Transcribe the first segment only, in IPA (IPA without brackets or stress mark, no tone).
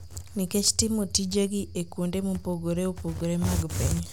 n